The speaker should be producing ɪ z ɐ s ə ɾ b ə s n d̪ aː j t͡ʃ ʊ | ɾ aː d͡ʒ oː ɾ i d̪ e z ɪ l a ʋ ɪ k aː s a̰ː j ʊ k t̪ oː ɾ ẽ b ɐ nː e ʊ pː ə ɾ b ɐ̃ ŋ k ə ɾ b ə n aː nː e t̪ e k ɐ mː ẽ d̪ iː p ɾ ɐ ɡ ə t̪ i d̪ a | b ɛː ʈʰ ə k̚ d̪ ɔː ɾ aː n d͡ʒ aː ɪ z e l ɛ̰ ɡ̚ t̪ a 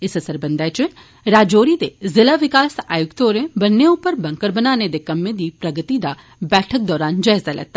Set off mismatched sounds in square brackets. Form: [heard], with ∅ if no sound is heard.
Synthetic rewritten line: ɪ [s] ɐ s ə ɾ b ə [∅] n d̪ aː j t͡ʃ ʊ | ɾ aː d͡ʒ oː ɾ i d̪ e z ɪ l a ʋ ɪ k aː s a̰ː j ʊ k t̪ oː ɾ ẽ b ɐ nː e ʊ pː ə ɾ b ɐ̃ ŋ k ə ɾ b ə n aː [n] e [d̪] e k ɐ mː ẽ d̪ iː p ɾ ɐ ɡ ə t̪ i d̪ a | b ɛː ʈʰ ə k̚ d̪ ɔː ɾ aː n d͡ʒ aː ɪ z [a] l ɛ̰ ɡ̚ t̪ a